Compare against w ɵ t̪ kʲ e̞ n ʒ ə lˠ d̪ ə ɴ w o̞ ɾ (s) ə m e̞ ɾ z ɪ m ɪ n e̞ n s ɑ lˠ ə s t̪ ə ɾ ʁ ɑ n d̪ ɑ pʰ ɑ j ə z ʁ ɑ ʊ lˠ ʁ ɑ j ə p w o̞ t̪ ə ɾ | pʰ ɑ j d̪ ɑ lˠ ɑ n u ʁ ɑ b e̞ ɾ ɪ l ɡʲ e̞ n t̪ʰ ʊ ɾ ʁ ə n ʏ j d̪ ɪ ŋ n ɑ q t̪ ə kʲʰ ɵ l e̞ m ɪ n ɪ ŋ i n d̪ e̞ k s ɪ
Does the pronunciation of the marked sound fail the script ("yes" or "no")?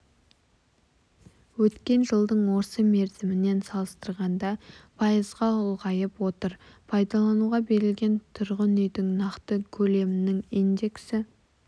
no